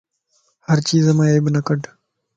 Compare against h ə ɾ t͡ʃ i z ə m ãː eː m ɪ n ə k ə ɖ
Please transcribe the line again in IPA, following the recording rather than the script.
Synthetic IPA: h ə ɾ t͡ʃ iː z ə m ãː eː b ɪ n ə k ə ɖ

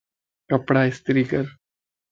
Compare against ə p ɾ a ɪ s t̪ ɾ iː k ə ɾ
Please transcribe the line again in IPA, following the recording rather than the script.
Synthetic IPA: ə p ɽ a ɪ s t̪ ɾ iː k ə ɾ

